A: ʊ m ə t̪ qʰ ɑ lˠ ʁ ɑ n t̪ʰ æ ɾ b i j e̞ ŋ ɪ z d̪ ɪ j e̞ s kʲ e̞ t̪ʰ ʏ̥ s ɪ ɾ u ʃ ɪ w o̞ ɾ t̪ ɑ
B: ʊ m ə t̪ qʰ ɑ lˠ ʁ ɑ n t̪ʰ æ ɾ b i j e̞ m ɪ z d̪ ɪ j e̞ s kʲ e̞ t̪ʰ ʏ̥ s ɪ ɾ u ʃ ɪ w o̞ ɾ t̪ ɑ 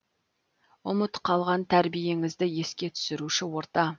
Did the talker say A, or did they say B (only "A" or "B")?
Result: A